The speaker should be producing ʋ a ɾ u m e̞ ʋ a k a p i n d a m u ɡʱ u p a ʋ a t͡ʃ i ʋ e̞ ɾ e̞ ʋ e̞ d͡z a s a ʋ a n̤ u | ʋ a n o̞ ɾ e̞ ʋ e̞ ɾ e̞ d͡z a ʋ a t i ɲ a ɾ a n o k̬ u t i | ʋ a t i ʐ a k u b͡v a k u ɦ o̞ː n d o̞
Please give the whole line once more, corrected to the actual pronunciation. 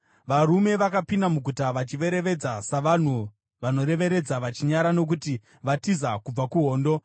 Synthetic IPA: ʋ a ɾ u m e̞ ʋ a k a p i n d a m u ɡʱ u t a ʋ a t͡ʃ i ʋ e̞ ɾ e̞ ʋ e̞ d͡z a s a ʋ a n̤ u | ʋ a n o̞ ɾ e̞ ʋ e̞ ɾ e̞ d͡z a ʋ a t͡ʃ i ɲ a ɾ a n o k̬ u t i | ʋ a t i z a k u b͡v a k u ɦ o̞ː n d o̞

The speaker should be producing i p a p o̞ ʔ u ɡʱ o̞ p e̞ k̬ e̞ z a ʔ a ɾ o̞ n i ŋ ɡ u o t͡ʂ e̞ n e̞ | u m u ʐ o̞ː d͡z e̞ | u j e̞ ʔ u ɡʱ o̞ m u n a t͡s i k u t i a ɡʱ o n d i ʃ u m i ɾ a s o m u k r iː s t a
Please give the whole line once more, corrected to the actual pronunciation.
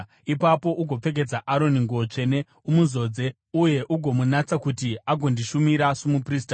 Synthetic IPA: i p a p o̞ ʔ u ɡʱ o̞ p͡f e̞ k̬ e̞ d͡z a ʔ a ɾ o̞ n i ŋ ɡ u o t͡ʂ e̞ n e̞ | u m u z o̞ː d͡z e̞ | u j e̞ ʔ u ɡʱ o̞ m u n a t͡s a k u t i a ɡʱ o n d i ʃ u m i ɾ a s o m u p r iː s t a

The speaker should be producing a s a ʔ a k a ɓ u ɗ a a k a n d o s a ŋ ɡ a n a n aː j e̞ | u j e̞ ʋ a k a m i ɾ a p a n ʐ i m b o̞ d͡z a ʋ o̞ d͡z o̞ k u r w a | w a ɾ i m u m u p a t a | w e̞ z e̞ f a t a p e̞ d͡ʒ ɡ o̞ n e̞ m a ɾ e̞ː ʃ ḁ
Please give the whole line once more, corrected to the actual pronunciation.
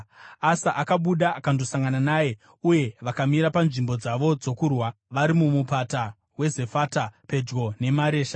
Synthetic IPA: a s a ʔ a k a ɓ u ɗ a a k a n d o s a ŋ ɡ a n a n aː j e̞ | u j e̞ ʋ a k a m i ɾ a p a n ʐ i m b o̞ d͡z a ʋ o̞ d͡z o̞ k u r w a | ʋ a ɾ i m u m u p a t a | w e̞ z e̞ f a t a p e̞ d͡ʒ ɡ o̞ n e̞ m a ɾ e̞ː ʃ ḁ

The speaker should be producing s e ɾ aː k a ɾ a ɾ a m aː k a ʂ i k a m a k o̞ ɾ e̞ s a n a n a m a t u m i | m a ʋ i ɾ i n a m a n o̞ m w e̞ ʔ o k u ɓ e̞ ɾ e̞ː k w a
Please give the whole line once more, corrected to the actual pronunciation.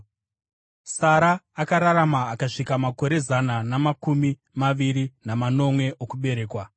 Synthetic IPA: s a ɾ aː k a ɾ a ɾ a m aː k a ʂ i k a m a k o̞ ɾ e̞ z a n a n a m a k u m i | m a ʋ i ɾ i n a m a n o̞ m w e̞ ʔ o k u ɓ e̞ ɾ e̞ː k w a

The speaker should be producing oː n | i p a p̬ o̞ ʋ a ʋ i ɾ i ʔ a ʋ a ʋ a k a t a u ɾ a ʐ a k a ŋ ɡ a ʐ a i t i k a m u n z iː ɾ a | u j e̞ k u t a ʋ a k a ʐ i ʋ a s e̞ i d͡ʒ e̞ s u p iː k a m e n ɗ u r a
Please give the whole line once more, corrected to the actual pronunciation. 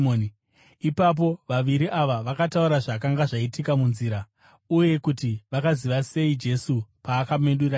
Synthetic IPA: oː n | i p a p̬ o̞ ʋ a ʋ i ɾ i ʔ a ʋ a ʋ a k a t a u ɾ a ʐ a k a ŋ ɡ a ʐ a i t i k a m u n z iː ɾ a | u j e̞ k u t i ʋ a k a z i ʋ a s e̞ i d͡ʒ e̞ s u p aː k a m e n ɗ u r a

